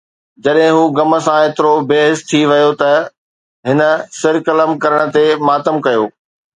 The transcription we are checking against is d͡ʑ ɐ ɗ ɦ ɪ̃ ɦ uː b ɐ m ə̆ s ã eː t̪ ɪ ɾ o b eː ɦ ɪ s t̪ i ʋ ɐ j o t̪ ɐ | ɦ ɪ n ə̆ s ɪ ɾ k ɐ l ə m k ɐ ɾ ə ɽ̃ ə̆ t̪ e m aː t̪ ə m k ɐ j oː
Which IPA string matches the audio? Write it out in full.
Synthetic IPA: d͡ʑ ɐ ɗ ɦ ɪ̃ ɦ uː ɡ ɐ m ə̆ s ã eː t̪ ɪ ɾ o b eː ɦ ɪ s t̪ʰ i ʋ ɐ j o t̪ ɐ | ɦ ɪ n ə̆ s ɪ ɾ k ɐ l ə m k ɐ ɾ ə ɽ̃ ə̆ t̪ e m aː t̪ ə m k ɐ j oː